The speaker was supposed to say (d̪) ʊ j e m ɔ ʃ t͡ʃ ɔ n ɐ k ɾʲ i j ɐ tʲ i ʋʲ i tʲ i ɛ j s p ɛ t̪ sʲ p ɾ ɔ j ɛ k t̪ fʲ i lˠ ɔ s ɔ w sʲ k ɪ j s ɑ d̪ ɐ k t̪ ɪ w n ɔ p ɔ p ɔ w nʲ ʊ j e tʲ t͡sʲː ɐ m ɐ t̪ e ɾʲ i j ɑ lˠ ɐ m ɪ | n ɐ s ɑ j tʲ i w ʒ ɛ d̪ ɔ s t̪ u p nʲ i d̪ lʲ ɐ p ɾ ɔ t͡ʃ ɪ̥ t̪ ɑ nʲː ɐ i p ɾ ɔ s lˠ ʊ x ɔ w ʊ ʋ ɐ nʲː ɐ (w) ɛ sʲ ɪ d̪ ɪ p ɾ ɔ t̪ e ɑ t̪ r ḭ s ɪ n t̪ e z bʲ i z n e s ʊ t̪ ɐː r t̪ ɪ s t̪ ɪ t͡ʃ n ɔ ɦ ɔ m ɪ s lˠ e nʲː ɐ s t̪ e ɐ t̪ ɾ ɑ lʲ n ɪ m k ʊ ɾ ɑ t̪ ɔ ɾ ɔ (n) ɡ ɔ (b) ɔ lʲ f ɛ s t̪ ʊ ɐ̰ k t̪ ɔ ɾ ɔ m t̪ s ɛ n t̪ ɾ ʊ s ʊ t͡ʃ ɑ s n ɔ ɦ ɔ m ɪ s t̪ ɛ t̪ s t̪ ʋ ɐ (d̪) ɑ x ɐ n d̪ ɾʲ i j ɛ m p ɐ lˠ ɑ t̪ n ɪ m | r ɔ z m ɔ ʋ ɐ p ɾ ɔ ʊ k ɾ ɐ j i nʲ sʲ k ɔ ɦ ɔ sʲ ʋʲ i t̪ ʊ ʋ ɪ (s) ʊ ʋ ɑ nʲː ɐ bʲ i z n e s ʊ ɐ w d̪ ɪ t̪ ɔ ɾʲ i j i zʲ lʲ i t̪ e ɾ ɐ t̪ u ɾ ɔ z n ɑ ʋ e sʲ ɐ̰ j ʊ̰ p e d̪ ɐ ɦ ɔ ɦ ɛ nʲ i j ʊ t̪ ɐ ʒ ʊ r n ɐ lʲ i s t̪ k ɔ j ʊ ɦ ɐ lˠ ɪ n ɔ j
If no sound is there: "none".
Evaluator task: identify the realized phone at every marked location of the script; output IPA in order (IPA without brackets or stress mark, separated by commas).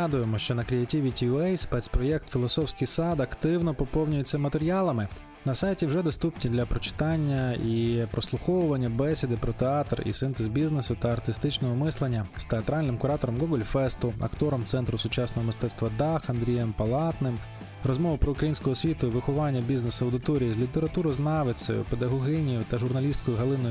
d̪, b, m, ɡ, d̪, x